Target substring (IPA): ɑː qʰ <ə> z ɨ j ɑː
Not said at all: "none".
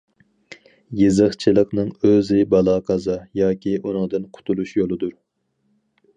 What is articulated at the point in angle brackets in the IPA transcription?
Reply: ɑ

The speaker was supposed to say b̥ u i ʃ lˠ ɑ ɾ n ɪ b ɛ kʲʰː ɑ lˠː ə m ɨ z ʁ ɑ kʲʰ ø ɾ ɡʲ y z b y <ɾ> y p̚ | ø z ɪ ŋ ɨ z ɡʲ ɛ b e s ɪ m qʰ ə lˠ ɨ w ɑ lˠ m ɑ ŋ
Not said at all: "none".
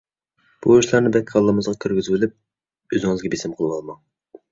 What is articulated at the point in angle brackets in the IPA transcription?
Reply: l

